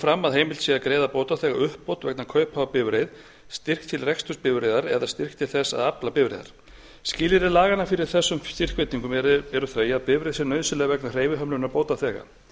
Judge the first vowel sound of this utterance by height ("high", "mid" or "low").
low